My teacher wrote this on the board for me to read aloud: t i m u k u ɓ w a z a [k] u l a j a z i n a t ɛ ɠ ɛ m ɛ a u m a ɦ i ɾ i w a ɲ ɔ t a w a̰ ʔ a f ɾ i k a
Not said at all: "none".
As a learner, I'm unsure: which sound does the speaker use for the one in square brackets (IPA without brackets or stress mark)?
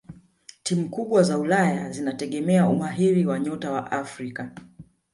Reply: none